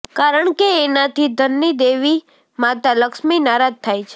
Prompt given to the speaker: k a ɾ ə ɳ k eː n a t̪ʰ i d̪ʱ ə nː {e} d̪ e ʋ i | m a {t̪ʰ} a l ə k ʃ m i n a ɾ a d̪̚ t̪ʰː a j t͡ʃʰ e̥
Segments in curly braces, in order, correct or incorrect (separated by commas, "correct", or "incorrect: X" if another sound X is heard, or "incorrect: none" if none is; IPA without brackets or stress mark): incorrect: i, incorrect: t̪